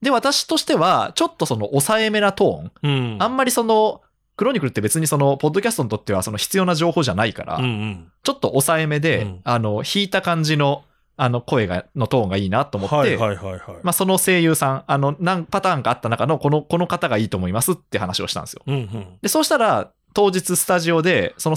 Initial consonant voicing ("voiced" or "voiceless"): voiced